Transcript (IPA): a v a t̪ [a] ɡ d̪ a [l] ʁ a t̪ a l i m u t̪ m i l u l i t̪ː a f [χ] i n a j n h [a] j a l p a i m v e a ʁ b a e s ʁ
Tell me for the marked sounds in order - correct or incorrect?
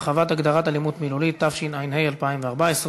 correct, incorrect, incorrect, incorrect

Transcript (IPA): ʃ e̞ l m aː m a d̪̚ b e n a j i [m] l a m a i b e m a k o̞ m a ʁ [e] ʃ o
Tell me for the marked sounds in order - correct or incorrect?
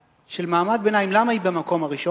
correct, incorrect

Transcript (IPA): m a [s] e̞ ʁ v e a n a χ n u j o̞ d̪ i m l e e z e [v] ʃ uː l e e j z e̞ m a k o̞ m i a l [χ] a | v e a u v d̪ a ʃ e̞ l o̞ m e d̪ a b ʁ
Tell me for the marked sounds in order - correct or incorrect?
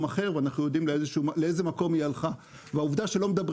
incorrect, incorrect, correct

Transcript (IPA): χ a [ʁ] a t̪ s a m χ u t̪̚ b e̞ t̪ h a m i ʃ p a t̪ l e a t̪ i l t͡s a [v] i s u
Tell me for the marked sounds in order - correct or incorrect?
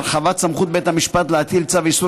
incorrect, correct

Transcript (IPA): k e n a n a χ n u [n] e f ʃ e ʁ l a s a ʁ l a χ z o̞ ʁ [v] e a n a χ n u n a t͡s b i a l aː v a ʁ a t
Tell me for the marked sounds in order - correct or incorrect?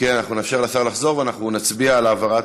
correct, correct

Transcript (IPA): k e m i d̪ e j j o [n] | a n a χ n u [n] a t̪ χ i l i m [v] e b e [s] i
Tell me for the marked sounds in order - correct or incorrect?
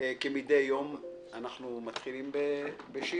incorrect, incorrect, incorrect, incorrect

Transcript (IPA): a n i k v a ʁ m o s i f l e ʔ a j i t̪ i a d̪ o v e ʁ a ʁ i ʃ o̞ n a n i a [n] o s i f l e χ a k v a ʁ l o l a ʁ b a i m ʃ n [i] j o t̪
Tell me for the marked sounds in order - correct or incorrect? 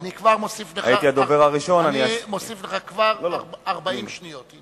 incorrect, correct

